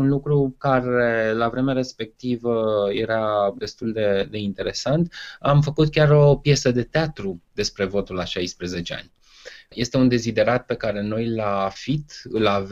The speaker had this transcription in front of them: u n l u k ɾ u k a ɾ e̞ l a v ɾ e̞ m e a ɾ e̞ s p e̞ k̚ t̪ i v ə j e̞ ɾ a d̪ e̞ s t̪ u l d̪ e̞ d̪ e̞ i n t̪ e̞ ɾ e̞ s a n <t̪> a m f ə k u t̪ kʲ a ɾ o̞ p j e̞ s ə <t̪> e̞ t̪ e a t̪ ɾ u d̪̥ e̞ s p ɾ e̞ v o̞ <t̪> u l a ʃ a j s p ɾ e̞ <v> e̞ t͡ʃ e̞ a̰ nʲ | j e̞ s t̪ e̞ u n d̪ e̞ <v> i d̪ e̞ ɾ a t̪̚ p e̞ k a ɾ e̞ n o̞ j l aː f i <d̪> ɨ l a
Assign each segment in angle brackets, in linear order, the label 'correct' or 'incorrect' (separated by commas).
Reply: correct, incorrect, correct, incorrect, incorrect, incorrect